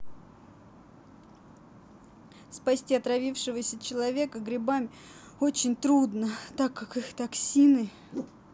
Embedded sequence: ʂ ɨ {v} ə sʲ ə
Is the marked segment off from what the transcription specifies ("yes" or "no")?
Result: no